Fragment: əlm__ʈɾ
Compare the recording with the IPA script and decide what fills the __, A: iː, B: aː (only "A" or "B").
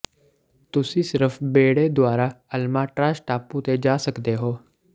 B